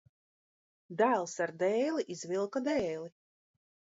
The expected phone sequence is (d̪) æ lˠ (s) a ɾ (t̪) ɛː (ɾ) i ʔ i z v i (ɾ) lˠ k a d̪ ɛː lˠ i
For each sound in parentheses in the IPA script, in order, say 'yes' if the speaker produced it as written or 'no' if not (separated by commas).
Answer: yes, yes, no, no, no